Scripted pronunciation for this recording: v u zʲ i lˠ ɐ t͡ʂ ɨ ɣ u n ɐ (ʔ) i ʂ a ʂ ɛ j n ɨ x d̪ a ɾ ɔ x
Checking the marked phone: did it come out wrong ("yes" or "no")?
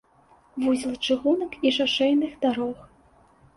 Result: yes